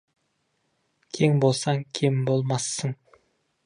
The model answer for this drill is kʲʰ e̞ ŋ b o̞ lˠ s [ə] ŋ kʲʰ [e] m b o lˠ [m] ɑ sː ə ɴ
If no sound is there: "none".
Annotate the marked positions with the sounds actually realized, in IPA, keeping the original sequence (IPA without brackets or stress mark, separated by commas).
ɑ, e, m